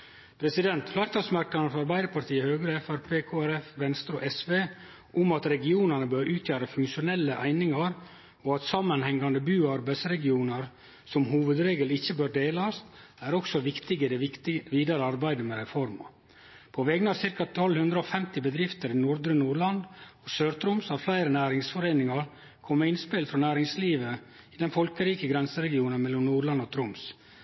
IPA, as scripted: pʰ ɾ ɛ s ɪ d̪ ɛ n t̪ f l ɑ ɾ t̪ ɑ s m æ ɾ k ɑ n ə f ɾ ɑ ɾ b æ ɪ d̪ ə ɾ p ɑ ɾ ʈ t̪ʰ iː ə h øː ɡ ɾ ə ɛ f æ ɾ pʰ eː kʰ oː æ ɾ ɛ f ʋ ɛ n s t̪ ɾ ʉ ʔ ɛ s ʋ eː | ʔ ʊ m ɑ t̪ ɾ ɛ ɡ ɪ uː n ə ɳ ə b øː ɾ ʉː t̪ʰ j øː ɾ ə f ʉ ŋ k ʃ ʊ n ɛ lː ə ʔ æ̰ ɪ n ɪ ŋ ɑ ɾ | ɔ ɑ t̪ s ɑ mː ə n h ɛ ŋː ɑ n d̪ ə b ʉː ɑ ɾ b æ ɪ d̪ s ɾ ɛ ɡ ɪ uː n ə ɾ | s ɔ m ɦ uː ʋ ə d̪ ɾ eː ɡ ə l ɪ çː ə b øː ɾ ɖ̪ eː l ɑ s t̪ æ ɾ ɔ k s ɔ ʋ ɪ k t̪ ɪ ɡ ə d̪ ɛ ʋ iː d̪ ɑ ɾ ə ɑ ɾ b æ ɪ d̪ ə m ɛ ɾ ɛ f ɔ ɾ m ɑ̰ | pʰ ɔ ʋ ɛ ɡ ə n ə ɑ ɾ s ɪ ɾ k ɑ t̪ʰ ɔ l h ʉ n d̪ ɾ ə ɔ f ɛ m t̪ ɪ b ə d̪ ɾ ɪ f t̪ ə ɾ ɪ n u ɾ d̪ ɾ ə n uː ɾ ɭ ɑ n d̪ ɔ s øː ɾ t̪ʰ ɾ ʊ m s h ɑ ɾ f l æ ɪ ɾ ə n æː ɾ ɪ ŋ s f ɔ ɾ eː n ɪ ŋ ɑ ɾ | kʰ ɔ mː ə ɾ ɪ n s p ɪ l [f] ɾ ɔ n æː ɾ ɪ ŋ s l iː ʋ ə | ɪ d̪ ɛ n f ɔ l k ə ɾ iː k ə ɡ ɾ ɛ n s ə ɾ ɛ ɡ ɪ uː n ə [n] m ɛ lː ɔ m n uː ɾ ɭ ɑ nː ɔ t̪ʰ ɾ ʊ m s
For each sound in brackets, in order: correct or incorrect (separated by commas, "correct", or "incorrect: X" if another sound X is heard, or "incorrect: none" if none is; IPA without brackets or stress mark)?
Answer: correct, correct